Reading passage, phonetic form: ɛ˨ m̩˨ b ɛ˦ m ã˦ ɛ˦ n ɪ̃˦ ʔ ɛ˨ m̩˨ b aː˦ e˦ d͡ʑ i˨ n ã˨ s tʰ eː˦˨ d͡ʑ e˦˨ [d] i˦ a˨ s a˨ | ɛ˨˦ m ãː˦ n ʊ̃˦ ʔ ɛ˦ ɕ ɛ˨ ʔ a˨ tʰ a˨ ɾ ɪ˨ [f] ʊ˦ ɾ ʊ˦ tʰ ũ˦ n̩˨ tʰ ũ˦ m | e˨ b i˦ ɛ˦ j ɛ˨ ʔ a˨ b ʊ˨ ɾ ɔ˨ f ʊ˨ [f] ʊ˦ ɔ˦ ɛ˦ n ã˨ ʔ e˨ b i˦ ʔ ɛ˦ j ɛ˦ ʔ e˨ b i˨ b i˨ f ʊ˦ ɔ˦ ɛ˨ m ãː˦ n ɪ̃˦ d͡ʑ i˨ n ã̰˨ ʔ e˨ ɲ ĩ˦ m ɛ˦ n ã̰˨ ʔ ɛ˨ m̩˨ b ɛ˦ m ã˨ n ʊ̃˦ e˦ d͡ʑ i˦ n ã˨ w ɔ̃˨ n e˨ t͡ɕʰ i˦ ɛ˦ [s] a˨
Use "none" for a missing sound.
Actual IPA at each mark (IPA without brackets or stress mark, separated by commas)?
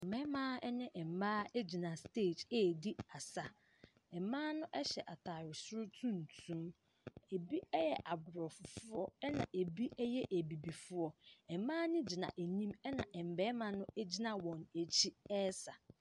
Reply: d, s, f, s